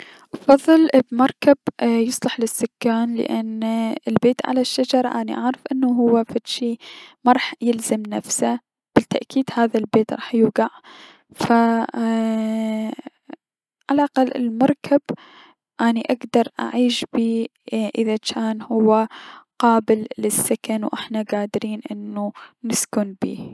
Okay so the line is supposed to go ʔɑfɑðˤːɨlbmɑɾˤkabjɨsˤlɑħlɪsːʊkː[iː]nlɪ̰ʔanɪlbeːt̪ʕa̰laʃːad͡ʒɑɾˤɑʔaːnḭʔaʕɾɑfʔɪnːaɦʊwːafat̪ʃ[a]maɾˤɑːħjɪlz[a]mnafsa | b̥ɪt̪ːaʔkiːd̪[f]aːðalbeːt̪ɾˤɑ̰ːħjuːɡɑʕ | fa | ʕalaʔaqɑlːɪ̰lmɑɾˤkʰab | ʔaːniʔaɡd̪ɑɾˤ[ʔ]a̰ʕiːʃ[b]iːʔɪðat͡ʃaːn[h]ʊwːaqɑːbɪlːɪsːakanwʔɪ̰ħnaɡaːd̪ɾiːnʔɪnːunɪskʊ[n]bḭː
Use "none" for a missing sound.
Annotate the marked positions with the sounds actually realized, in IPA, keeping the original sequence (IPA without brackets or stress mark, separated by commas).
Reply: aː, i, a, h, ʔ, b, h, n